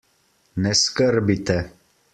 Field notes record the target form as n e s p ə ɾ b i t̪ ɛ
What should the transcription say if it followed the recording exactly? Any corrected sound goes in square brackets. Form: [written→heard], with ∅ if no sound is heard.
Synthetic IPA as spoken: n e s [p→k] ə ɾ b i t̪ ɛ